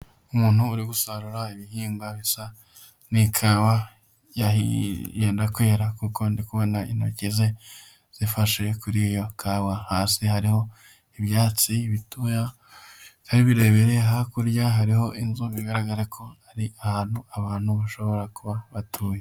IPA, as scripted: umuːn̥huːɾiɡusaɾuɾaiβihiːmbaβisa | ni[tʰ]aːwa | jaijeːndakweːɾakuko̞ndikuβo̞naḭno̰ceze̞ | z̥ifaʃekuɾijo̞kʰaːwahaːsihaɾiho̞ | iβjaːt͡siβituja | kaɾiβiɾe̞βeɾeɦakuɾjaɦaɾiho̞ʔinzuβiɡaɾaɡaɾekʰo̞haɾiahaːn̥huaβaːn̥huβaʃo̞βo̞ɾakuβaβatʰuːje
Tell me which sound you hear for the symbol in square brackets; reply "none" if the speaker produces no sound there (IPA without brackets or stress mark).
kʰ